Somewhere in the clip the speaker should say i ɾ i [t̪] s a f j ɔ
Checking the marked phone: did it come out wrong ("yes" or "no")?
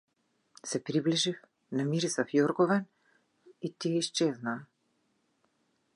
yes